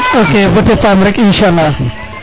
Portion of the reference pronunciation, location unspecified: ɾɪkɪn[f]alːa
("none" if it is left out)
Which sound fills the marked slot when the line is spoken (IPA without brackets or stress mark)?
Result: ʃ